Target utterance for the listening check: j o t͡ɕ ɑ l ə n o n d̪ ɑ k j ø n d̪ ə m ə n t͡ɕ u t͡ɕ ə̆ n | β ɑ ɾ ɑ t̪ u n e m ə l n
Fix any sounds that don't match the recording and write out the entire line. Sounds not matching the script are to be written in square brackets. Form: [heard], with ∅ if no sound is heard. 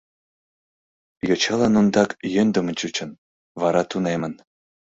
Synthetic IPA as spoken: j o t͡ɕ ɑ l [ɑ] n [u] n d̪ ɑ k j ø n d̪ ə m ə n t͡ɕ u t͡ɕ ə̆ n | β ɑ ɾ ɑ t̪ u n e m ə [∅] n